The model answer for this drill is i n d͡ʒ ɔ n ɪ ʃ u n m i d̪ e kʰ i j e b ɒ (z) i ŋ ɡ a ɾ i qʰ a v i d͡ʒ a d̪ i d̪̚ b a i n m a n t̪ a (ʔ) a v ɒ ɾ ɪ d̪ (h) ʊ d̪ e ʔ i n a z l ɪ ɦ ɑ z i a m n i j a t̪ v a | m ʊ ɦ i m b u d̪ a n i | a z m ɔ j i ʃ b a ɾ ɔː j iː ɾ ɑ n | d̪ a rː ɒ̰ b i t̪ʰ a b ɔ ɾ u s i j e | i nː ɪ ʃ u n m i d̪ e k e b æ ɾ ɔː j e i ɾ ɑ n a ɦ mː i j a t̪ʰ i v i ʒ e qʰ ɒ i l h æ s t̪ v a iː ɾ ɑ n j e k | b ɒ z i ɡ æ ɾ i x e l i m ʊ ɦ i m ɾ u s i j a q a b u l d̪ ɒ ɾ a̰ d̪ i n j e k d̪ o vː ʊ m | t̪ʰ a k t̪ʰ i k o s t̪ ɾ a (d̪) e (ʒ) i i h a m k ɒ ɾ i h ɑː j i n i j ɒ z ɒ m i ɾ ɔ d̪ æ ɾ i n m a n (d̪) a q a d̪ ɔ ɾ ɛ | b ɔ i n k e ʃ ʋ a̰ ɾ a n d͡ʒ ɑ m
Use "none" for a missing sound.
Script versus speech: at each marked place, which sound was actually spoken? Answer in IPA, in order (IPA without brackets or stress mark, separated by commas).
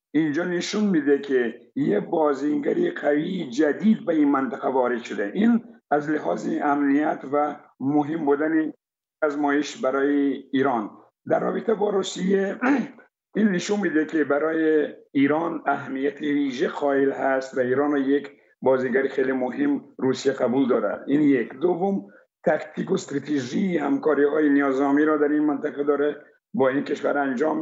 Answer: z, q, ʃ, t̪, ʒ, t̪